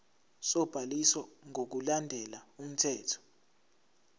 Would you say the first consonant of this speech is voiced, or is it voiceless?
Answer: voiceless